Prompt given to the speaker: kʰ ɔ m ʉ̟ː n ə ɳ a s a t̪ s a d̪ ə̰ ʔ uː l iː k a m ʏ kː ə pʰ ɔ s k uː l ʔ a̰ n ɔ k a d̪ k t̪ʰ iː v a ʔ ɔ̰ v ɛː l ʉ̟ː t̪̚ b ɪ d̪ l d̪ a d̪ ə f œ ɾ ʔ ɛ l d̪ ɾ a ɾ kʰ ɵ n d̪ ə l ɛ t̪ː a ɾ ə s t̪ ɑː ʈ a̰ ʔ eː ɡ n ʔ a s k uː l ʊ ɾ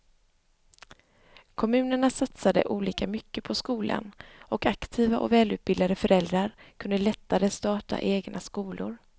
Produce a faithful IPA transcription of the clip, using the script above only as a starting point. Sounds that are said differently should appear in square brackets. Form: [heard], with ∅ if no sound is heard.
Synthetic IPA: kʰ ɔ m ʉ̟ː n ə ɳ a s a t̪ s a d̪ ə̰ ʔ uː l iː k a m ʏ kː ə pʰ ɔ s k uː l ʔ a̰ n ɔ k a [∅] k t̪ʰ iː v a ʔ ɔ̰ v ɛː l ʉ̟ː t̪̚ b ɪ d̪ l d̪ a d̪ ə f œ ɾ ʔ ɛ l d̪ ɾ a ɾ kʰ ɵ n d̪ ə l ɛ t̪ː a ɾ ə s t̪ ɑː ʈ a̰ ʔ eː ɡ n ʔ a s k uː l ʊ ɾ